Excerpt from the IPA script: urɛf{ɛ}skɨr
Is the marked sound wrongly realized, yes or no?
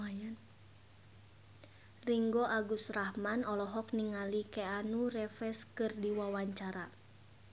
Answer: no